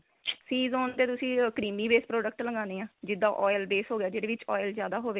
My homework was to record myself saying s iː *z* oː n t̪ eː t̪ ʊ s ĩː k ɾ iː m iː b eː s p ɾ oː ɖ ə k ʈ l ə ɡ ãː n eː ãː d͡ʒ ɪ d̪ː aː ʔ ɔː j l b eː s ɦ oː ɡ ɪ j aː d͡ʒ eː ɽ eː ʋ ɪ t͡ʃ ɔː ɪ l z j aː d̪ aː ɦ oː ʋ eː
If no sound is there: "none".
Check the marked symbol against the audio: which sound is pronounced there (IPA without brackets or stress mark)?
z